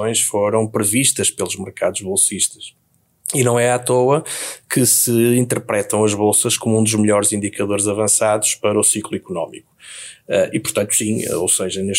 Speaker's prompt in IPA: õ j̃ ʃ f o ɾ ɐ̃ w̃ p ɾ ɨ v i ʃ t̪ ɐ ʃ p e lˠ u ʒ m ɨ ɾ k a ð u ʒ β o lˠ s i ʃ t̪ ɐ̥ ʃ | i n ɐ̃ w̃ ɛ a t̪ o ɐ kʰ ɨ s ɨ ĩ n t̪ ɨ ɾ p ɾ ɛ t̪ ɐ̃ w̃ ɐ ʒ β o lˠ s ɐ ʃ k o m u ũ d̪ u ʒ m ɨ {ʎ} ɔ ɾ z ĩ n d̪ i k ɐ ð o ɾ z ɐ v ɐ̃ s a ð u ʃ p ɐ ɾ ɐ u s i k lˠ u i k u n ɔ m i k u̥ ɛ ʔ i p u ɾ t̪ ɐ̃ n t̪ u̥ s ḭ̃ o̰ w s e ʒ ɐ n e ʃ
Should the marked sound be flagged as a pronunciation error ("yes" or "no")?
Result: no